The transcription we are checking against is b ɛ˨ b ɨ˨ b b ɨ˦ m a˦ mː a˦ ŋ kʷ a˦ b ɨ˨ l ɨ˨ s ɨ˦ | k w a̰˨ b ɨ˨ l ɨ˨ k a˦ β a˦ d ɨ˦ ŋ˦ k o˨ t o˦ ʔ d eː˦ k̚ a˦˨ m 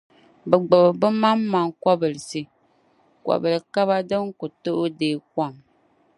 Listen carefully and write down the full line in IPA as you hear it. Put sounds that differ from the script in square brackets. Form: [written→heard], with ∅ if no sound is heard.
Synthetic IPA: b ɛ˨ [b→ɡ͡b] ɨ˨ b b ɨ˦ m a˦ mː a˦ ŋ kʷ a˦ b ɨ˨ l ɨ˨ s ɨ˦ | k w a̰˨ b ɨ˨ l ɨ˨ k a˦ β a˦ d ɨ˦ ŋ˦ k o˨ t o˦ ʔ d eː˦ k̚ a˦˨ m